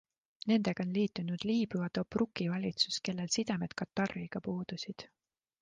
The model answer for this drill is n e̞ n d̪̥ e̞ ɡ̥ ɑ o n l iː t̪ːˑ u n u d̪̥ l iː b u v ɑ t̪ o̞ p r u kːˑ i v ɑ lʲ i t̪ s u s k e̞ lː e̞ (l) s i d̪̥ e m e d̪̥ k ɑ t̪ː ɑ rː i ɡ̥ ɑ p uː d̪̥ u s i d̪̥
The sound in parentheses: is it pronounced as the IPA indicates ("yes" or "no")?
yes